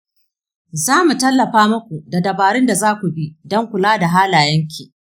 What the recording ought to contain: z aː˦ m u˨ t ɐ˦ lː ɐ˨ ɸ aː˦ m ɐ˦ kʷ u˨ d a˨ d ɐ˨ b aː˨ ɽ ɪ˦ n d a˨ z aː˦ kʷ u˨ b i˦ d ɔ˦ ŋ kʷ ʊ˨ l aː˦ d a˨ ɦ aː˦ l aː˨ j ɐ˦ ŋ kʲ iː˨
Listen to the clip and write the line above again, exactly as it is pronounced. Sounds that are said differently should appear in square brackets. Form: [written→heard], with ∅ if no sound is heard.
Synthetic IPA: z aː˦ m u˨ t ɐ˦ lː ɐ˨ ɸ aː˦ m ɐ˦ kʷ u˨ d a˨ d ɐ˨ b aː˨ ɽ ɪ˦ n d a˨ z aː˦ kʷ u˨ b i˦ d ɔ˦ ŋ kʷ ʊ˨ l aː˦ d a˨ ɦ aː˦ l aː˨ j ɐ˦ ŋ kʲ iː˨

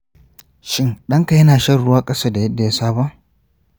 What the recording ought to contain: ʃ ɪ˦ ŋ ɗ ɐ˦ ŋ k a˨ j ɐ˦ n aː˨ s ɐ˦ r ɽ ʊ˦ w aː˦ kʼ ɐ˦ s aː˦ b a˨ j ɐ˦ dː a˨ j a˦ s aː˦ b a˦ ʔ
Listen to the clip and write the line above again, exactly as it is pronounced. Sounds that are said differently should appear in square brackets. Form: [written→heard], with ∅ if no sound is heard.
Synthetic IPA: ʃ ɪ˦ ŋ ɗ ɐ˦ ŋ k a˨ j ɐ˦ n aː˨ [s→ʃ] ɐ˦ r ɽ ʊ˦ w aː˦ kʼ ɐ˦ s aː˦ [b→d] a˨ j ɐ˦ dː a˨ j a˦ s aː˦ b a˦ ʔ

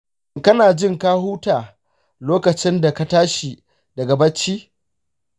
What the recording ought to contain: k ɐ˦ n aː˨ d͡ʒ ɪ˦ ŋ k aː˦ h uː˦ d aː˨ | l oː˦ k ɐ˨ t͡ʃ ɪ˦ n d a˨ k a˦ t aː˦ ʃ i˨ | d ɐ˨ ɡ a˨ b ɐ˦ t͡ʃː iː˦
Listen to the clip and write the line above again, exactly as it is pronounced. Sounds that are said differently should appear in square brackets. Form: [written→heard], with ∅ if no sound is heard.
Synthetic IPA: k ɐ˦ n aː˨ d͡ʒ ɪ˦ ŋ k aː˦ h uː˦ [d→t] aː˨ | l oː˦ k ɐ˨ t͡ʃ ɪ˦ n d a˨ k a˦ t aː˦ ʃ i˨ | d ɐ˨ ɡ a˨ b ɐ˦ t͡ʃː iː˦

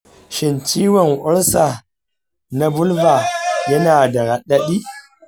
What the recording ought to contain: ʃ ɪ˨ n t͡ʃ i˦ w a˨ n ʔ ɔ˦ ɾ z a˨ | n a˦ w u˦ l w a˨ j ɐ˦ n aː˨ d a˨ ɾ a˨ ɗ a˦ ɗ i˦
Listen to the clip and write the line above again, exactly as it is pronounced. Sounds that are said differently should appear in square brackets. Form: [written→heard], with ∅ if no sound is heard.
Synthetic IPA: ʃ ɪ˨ n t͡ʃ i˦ w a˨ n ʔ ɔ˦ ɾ [z→s] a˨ | n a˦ [w→b] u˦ l [w→v] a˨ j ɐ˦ n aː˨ d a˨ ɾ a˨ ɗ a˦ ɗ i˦

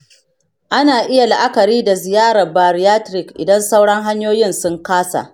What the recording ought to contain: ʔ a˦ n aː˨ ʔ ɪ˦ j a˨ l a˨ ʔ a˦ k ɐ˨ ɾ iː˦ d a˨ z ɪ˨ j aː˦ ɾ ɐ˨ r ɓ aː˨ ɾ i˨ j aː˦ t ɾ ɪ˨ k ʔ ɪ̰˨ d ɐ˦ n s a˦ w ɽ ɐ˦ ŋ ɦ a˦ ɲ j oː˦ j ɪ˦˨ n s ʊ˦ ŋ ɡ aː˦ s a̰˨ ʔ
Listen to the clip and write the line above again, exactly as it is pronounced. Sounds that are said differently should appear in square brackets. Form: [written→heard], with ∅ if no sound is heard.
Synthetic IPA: ʔ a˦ n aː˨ ʔ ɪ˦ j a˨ l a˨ ʔ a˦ k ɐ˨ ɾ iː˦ d a˨ z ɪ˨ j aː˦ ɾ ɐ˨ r [ɓ→b] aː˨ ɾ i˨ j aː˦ t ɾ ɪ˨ k ʔ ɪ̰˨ d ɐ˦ n s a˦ w ɽ ɐ˦ ŋ ɦ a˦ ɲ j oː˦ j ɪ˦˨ n s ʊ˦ ŋ [ɡ→k] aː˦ s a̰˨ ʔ

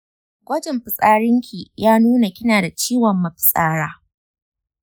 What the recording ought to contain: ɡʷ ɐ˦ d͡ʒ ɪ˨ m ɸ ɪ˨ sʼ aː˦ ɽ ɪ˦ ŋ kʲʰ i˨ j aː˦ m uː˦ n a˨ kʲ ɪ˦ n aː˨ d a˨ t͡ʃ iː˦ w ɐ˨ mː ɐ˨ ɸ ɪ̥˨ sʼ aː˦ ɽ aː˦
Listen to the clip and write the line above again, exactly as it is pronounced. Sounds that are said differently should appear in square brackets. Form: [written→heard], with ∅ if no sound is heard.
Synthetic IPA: ɡʷ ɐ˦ d͡ʒ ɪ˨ m ɸ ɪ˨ sʼ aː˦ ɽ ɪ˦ ŋ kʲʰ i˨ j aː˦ [m→n] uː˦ n a˨ kʲ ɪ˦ n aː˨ d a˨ t͡ʃ iː˦ w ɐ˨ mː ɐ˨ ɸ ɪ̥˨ sʼ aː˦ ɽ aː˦

